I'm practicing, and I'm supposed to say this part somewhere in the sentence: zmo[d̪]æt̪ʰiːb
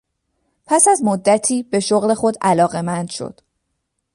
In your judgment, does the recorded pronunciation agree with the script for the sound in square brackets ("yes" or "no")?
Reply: no